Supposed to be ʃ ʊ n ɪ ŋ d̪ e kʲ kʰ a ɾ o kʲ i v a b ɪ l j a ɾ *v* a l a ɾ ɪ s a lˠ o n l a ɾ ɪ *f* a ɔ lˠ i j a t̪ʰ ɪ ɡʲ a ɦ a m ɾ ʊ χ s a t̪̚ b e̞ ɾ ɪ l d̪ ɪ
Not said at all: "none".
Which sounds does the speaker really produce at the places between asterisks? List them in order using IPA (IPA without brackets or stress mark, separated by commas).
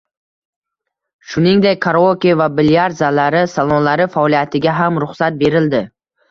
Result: z, f